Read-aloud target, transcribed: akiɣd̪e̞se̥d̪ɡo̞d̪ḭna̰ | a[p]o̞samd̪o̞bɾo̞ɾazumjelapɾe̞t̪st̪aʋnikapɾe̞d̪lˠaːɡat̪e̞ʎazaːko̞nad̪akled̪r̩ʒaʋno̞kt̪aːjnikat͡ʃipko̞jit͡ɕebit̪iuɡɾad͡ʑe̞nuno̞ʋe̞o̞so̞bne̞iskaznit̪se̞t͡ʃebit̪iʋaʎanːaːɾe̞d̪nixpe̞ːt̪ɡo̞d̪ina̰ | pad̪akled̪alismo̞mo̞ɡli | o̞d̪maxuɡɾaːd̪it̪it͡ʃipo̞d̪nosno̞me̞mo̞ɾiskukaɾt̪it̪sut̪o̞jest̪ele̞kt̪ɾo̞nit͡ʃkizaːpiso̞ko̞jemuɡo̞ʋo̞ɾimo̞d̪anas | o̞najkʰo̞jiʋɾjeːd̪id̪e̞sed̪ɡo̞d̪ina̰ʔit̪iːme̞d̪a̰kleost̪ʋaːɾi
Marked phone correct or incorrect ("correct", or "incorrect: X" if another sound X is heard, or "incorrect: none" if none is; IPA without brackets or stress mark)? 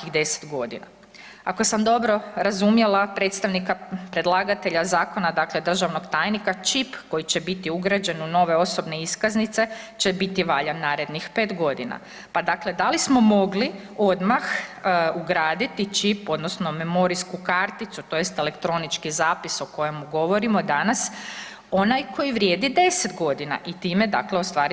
incorrect: k